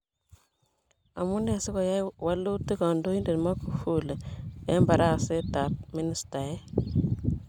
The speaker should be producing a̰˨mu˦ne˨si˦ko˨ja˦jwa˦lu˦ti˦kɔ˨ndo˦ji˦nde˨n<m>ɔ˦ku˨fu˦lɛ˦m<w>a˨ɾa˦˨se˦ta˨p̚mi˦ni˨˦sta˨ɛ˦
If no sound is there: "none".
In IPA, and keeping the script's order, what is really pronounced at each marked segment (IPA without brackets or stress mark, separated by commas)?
m, b